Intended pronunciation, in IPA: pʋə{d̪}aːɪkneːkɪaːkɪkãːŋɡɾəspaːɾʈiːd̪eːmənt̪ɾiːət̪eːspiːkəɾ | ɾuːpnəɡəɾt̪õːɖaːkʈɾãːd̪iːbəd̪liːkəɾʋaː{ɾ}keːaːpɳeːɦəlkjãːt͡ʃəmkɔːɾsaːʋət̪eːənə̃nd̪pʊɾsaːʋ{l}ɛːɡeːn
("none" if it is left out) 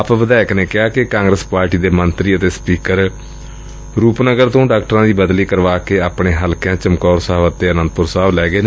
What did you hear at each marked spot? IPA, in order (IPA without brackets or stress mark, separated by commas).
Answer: d̪, none, l